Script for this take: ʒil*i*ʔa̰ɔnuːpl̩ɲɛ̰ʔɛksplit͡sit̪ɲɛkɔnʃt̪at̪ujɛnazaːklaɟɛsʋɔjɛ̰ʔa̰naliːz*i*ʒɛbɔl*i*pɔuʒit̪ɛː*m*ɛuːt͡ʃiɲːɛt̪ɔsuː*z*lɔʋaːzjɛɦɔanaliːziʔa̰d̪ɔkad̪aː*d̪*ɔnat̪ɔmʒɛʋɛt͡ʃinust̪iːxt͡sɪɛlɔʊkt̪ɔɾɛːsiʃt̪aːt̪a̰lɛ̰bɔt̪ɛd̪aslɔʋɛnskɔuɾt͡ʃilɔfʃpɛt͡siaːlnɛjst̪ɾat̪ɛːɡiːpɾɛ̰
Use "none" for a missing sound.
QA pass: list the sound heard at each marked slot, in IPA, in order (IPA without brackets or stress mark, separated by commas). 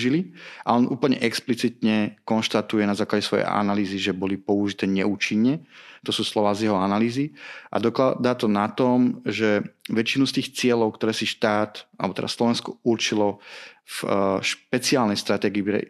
i, i, i, ɲ, s, t̪